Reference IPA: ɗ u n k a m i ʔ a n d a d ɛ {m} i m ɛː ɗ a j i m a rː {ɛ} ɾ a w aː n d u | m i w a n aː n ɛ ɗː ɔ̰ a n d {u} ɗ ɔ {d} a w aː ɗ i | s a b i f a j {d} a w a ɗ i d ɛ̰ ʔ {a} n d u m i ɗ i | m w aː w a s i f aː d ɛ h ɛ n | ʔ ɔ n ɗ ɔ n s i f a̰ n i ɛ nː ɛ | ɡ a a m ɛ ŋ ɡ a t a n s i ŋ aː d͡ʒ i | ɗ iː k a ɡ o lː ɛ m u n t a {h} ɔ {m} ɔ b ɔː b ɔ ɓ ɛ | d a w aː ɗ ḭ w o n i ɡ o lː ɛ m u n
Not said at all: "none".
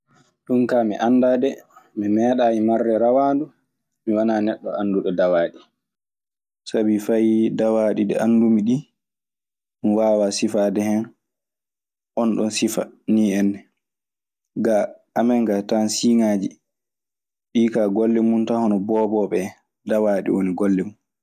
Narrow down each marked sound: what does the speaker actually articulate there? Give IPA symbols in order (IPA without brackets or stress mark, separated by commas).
m, ɛ, u, d, d, a, h, n